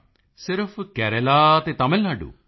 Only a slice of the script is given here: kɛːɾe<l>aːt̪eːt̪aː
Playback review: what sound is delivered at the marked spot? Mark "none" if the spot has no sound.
l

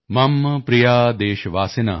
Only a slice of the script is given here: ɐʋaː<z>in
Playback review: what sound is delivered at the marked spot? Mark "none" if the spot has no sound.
s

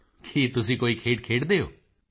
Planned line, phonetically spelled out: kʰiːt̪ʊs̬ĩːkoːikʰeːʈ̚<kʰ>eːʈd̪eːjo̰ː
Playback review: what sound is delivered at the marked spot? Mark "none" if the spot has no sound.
kʰ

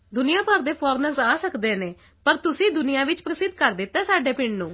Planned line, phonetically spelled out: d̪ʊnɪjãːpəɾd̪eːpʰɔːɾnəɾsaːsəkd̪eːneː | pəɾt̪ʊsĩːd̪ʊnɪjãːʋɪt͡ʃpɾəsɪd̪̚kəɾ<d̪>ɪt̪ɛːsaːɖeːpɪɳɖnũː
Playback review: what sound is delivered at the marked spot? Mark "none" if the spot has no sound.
d̪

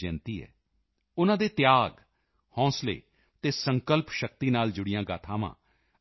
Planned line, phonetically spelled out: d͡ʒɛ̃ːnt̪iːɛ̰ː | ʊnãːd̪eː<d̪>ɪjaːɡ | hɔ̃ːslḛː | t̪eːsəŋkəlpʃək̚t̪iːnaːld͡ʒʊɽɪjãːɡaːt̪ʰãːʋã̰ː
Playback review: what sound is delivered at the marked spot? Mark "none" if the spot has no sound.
t̪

